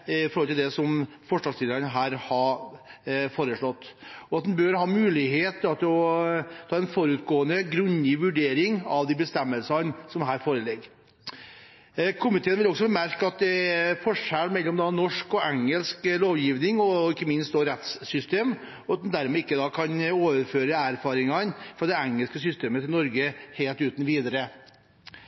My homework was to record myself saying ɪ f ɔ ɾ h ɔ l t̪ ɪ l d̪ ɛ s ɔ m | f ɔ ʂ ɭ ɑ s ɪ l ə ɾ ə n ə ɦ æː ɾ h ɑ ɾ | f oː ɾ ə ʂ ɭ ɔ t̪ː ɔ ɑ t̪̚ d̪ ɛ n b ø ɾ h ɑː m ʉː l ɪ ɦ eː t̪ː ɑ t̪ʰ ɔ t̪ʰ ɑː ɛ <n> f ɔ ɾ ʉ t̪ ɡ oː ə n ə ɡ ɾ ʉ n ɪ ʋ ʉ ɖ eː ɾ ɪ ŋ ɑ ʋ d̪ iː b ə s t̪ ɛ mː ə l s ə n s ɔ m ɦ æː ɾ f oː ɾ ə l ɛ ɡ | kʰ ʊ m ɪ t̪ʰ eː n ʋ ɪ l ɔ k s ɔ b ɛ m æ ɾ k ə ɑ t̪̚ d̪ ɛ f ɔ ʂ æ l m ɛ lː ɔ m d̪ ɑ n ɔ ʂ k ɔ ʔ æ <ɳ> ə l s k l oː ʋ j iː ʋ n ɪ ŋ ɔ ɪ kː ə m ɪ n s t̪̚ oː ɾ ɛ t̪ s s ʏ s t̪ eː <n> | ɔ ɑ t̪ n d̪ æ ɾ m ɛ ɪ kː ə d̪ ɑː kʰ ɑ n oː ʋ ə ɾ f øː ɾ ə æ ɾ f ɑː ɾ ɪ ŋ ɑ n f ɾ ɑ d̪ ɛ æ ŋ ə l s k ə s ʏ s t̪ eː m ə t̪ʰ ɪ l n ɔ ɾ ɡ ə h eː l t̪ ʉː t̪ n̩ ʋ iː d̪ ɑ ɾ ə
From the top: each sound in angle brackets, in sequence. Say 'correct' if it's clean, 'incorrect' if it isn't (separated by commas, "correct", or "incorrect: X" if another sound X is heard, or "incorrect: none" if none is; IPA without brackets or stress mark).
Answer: correct, incorrect: ŋ, incorrect: m